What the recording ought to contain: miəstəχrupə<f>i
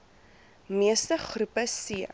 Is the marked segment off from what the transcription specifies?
yes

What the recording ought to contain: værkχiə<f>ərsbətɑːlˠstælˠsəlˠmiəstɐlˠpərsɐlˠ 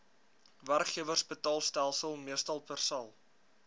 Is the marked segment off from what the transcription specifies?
yes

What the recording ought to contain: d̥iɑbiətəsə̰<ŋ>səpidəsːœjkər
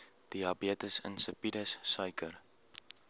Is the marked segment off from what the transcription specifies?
yes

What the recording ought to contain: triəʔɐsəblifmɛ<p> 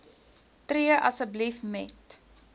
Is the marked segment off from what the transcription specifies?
yes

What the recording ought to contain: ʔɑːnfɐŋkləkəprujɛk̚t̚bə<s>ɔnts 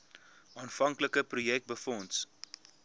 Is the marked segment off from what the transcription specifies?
yes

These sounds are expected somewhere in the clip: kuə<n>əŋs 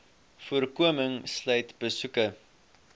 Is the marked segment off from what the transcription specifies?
yes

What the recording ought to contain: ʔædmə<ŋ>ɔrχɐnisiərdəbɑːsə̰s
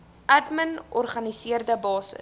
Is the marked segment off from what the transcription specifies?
yes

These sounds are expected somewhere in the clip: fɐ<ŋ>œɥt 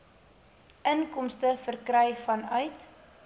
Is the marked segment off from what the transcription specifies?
yes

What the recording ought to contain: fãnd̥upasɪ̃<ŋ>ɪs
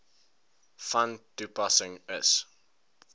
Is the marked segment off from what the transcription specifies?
no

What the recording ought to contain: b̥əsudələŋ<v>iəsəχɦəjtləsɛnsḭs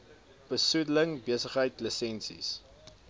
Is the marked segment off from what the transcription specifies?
yes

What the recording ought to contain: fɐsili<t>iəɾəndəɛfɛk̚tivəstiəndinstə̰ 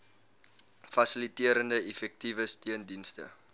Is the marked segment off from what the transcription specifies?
no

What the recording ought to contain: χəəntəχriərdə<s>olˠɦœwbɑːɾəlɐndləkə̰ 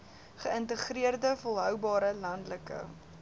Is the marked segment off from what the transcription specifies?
yes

